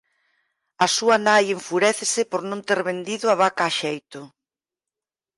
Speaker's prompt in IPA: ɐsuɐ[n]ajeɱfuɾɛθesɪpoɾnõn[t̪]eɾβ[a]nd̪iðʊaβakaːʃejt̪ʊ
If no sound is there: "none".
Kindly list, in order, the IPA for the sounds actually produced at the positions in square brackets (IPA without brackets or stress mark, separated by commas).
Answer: n, t̪, e